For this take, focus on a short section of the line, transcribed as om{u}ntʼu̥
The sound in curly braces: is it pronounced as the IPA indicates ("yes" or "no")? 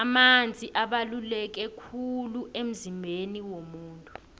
no